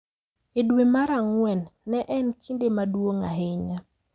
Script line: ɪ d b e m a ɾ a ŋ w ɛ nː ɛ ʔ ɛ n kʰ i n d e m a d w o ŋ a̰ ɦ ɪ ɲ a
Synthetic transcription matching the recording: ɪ d w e m a ɾ a ŋ w ɛ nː ɛ ʔ ɛ n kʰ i n d e m a d w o ŋ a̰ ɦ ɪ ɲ a